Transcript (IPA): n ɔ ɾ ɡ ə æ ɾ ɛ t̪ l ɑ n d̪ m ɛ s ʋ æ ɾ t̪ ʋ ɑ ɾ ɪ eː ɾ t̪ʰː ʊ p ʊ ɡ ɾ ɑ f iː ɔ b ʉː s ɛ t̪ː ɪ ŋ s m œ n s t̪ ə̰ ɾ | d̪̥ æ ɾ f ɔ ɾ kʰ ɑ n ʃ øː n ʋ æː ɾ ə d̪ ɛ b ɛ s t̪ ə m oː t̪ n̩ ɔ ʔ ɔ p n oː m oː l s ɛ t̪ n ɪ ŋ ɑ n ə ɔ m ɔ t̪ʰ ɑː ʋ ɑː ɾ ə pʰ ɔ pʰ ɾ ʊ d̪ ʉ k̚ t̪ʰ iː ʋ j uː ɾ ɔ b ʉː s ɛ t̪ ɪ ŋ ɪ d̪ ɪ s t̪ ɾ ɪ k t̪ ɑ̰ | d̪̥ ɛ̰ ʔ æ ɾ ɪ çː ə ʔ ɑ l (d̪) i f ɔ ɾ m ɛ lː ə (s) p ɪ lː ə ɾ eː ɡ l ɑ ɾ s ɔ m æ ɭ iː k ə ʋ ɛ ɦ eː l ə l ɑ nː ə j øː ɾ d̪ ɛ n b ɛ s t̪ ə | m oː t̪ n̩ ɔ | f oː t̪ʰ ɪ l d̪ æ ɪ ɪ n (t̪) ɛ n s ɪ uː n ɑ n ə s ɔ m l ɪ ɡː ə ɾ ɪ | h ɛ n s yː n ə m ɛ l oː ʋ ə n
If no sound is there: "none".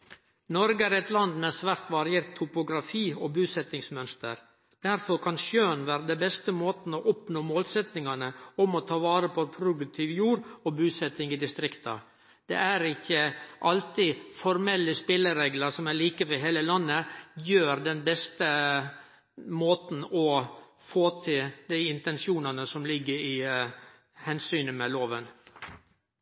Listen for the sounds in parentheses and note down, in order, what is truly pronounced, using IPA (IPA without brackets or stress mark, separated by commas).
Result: t̪, s, t̪